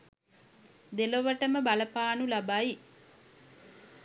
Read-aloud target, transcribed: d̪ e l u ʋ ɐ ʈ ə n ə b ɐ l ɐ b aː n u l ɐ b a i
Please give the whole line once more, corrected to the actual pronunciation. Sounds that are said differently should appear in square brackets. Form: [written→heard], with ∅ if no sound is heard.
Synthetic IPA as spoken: d̪ e l [u→o] ʋ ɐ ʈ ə [n→m] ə b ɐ l ɐ [b→p] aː n u l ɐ b a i